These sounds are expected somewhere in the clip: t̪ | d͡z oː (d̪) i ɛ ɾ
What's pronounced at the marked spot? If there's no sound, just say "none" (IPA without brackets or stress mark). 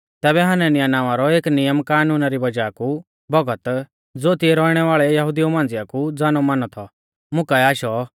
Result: t̪